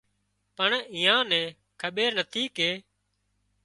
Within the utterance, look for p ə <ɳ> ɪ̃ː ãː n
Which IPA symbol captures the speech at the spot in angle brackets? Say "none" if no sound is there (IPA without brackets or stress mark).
ɳ